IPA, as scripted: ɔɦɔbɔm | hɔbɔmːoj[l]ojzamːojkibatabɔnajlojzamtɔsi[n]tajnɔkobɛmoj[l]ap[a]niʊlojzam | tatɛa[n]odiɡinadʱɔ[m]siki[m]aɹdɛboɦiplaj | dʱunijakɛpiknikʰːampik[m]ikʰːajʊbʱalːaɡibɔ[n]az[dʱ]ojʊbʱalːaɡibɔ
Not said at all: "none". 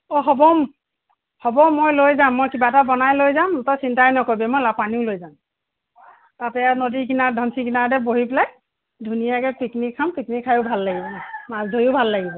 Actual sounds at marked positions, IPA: l, n, l, a, n, n, n, n, m, dʱ

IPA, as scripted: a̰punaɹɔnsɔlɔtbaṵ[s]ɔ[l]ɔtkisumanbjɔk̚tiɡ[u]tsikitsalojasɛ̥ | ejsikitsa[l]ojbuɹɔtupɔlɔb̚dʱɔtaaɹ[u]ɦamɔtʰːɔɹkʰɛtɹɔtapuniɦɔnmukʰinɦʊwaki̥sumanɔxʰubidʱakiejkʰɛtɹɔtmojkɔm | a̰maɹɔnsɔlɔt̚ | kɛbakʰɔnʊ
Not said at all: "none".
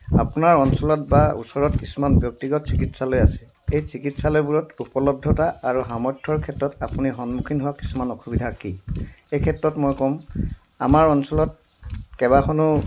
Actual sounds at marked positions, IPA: s, ɹ, ɔ, l, u

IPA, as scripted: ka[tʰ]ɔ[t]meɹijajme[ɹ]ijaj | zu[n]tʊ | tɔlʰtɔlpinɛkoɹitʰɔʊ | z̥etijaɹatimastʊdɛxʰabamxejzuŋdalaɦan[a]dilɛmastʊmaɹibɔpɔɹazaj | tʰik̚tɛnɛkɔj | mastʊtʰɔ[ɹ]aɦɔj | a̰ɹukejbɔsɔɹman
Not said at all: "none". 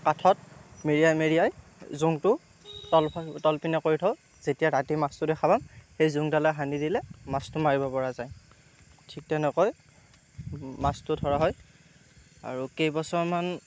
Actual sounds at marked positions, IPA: tʰ, t, ɹ, ŋ, i, ɹ

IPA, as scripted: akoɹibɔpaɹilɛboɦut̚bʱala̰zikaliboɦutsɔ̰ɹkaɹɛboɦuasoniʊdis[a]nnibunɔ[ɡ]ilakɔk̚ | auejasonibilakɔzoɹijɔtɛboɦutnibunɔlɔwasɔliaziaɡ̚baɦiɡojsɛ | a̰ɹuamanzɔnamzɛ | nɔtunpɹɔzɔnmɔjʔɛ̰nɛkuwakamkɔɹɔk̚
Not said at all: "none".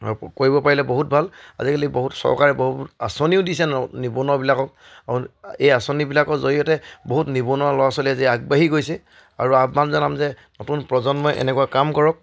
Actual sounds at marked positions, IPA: ɛ, b

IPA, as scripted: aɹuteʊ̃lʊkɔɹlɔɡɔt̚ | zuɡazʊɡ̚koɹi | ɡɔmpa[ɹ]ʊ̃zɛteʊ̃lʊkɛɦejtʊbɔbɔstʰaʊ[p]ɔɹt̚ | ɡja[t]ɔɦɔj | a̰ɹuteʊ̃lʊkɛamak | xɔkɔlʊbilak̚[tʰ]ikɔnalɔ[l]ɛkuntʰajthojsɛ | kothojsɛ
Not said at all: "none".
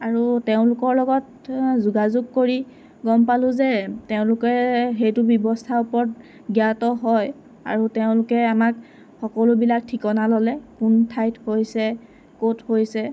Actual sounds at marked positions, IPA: l, p, t, tʰ, l

